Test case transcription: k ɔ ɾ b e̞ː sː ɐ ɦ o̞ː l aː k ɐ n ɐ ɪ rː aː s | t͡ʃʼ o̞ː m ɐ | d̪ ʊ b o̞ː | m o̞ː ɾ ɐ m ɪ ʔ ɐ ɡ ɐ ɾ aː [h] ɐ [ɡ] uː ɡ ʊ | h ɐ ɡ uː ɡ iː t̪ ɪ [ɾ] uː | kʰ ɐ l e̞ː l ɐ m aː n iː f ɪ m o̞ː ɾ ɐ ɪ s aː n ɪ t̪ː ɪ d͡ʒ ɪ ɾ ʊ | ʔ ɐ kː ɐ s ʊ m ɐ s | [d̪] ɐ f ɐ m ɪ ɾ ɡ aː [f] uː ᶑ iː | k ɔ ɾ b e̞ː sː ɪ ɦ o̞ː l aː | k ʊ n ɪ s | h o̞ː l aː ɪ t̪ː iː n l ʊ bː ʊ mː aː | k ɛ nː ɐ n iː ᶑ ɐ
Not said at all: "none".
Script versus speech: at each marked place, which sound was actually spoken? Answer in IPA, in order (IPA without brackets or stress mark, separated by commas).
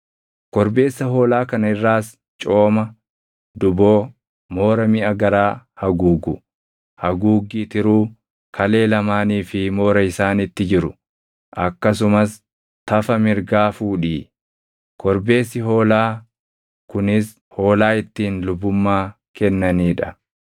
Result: h, ɡ, ɾ, t̪, f